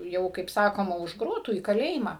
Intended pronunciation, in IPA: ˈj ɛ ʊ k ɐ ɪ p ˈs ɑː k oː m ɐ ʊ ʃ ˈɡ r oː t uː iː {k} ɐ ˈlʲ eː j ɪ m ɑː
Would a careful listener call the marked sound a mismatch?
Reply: no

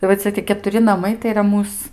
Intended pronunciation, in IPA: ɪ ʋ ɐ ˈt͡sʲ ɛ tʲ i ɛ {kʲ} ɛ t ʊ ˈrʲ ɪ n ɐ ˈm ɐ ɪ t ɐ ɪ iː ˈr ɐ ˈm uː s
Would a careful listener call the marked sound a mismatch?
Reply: no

